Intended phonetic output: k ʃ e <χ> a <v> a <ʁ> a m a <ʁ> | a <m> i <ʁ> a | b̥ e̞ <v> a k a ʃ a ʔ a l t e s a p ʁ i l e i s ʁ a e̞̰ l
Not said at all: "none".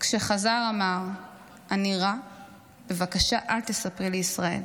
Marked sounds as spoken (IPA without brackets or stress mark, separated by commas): χ, z, ʁ, ʁ, n, ʁ, v